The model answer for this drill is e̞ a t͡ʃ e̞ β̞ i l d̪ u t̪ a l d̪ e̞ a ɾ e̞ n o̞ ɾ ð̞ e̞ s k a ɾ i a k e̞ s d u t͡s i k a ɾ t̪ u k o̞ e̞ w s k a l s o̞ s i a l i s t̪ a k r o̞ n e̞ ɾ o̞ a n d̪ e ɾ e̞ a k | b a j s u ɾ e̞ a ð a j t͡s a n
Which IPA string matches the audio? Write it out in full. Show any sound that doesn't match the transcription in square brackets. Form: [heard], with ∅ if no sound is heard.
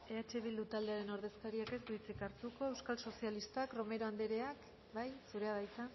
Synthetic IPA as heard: e̞ a t͡ʃ e̞ β̞ i l d̪ u t̪ a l d̪ e̞ a ɾ e̞ n o̞ ɾ ð̞ e̞ s k a ɾ i a k e̞ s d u t͡s i k a ɾ t̪ u k o̞ e̞ w s k a l s o̞ s i a l i s t̪ a k r o̞ [m] e̞ ɾ o̞ a n d̪ e ɾ e̞ a k | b a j s u ɾ e̞ a ð a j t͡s a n